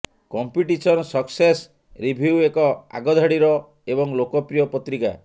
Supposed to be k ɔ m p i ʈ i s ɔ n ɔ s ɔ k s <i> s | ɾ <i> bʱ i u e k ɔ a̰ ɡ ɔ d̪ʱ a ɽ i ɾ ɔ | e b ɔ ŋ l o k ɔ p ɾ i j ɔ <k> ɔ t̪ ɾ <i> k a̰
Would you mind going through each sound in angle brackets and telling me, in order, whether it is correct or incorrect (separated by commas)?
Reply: incorrect, correct, incorrect, correct